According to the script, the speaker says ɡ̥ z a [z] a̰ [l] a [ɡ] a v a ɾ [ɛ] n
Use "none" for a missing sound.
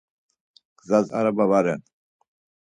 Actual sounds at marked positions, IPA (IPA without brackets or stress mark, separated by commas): z, ɾ, b, ɛ